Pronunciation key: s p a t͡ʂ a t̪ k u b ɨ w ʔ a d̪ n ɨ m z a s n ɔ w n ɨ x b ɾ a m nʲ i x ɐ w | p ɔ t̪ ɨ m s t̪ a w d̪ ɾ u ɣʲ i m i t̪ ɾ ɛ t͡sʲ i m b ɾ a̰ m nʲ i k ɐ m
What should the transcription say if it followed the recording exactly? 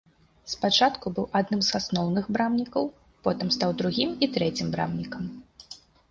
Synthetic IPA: s p a t͡ʂ a t̪ k u b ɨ w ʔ a d̪ n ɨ m z a s n ɔ w n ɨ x b ɾ a m nʲ i k ɐ w | p ɔ t̪ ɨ m s t̪ a w d̪ ɾ u ɣʲ i m i t̪ ɾ ɛ t͡sʲ i m b ɾ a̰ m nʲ i k ɐ m